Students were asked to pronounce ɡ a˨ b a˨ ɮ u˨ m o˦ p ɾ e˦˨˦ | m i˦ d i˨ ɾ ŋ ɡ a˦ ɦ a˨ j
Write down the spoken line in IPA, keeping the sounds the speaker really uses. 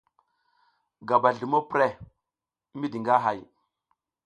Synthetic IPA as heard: ɡ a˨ b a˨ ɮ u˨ m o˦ p ɾ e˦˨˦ | m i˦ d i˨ ŋ ɡ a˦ ɦ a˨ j